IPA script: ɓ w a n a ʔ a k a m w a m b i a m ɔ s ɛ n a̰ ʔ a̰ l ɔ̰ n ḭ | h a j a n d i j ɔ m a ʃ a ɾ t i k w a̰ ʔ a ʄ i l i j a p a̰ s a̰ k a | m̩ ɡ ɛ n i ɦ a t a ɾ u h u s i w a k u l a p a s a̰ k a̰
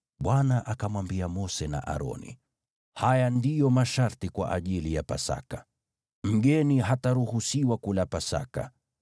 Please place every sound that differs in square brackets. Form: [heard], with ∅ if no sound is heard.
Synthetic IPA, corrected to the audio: ɓ w a n a ʔ a k a m w a m b i a m ɔ s ɛ n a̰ ʔ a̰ [ɾ] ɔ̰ n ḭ | h a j a n d i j ɔ m a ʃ a ɾ t i k w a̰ ʔ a ʄ i l i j a p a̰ s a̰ k a | m̩ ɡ ɛ n i ɦ a t a ɾ u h u s i w a k u l a p a s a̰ k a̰